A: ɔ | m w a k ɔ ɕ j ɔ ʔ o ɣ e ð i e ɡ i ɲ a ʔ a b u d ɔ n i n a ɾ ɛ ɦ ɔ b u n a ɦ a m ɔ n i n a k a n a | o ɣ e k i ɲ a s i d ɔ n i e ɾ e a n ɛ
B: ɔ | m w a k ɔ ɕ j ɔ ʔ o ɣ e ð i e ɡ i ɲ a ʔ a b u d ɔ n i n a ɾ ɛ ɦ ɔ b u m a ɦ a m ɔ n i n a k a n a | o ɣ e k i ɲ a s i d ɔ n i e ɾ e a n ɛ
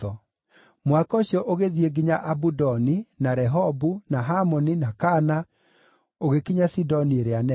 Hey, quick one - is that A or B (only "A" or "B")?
A